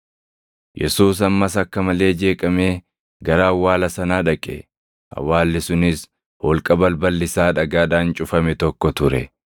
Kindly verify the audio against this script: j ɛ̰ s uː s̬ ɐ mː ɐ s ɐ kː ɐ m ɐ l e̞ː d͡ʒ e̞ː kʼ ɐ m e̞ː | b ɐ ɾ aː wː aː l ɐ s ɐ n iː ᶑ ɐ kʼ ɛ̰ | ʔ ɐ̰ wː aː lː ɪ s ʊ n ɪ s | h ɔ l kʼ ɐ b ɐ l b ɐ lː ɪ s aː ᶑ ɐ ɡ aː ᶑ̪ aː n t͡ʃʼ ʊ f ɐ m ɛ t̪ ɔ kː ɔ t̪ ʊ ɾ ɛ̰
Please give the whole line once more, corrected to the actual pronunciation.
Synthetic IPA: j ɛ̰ s uː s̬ ɐ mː ɐ s ɐ kː ɐ m ɐ l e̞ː d͡ʒ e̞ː kʼ ɐ m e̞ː | ɡ ɐ ɾ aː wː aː l ɐ s ɐ n aː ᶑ ɐ kʼ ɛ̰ | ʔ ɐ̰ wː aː lː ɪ s ʊ n ɪ s | h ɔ l kʼ ɐ b ɐ l b ɐ lː ɪ s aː ᶑ ɐ ɡ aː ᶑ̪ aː n t͡ʃʼ ʊ f ɐ m ɛ t̪ ɔ kː ɔ t̪ ʊ ɾ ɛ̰